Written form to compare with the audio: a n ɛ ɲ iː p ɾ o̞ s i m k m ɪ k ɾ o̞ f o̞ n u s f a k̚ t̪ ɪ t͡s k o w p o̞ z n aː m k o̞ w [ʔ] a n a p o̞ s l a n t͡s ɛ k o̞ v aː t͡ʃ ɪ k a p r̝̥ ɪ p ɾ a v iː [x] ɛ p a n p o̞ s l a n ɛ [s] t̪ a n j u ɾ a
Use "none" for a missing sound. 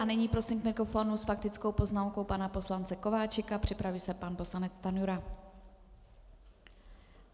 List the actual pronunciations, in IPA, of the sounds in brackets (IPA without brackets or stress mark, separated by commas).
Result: p, s, t͡s